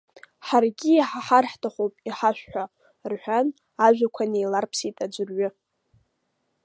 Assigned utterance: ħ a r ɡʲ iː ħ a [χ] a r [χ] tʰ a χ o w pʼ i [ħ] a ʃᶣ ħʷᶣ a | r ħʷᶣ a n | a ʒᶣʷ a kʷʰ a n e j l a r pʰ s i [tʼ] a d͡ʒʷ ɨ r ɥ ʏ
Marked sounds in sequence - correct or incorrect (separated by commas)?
incorrect, incorrect, correct, correct